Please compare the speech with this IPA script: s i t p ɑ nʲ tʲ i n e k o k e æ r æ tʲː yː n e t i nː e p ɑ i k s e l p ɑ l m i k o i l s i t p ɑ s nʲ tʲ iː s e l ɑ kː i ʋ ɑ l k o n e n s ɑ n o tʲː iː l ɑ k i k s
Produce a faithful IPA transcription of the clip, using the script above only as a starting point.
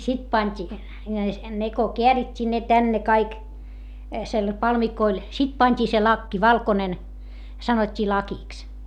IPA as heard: s i t p ɑ nʲ tʲ i n e k o k e æ r i tʲː iː n e t æ nː e k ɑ i k s e l p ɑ l m i k o i l s i t p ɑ nʲ tʲ iː s e l ɑ kː i ʋ ɑ l k o n e n s ɑ n o tʲː iː l ɑ k i k s